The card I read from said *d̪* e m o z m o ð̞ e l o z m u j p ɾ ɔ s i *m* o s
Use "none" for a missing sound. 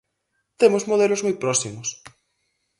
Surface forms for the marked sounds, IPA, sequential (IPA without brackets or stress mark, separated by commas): t̪, m